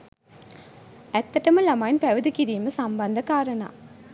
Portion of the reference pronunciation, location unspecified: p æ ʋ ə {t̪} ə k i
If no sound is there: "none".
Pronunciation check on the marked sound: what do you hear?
d̪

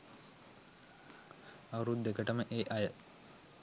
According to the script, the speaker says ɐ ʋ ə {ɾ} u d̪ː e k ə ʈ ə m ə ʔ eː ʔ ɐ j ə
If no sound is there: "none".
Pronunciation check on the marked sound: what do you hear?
ɾ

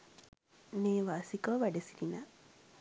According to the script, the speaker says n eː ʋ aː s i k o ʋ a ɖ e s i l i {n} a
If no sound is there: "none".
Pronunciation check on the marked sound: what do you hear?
n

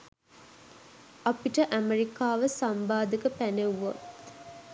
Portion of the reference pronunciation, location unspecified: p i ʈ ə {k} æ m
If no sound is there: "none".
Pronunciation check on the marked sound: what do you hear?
ʔ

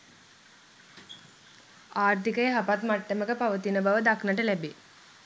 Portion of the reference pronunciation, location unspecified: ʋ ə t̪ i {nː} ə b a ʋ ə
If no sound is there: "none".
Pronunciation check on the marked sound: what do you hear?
n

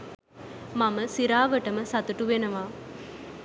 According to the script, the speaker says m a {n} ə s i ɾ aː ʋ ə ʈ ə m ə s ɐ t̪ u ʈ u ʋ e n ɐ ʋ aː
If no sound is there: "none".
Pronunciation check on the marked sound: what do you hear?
m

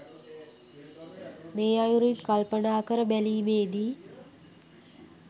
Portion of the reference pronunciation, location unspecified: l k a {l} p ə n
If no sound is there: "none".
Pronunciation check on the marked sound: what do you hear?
l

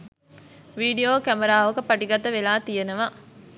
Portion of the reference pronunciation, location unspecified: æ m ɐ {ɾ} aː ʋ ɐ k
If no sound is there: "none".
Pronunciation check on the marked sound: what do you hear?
ɾ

